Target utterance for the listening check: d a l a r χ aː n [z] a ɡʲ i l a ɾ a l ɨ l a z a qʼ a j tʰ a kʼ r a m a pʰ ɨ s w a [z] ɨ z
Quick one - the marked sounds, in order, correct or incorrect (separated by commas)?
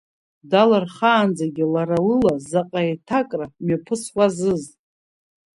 incorrect, correct